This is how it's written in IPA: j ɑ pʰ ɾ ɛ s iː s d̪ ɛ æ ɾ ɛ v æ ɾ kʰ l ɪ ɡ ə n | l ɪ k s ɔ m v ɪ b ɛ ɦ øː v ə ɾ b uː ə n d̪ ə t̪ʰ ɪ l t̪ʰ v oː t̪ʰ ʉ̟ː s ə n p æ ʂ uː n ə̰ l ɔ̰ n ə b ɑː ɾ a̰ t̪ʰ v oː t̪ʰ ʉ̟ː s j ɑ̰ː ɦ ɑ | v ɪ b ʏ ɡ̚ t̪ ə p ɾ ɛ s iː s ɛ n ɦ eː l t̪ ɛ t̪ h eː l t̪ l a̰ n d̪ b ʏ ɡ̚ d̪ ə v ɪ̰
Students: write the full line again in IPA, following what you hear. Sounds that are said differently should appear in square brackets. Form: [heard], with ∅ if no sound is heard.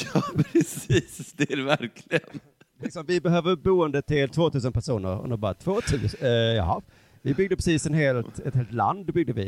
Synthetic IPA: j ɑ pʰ ɾ ɛ s iː s d̪ ɛ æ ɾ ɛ v æ ɾ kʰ l ɪ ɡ ə n | l ɪ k s ɔ m v ɪ b ɛ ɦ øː v ə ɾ b uː ə n d̪ ə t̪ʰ ɪ l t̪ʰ v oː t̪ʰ ʉ̟ː s ə n p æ ʂ uː n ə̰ [ɾ] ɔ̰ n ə b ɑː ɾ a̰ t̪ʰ v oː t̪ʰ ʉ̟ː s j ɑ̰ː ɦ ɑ | v ɪ b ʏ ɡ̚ [d̪] ə p ɾ ɛ s iː s ɛ n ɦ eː l t̪ ɛ t̪ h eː l t̪ l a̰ n d̪ b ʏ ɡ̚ d̪ ə v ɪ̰